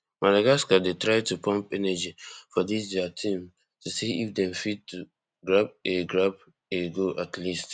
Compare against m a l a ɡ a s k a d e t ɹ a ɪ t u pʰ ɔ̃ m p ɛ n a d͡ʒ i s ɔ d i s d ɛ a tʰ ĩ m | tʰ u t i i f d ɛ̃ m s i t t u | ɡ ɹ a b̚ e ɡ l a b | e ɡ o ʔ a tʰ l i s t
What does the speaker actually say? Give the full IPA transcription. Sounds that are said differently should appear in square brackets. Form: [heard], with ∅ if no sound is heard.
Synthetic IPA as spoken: m a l a ɡ a s k a d e t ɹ a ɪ t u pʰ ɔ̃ m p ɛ n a d͡ʒ i [f] ɔ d i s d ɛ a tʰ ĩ m | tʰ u [s] i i f d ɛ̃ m [f] i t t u | ɡ ɹ a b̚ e ɡ [ɹ] a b | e ɡ o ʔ a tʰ l i s t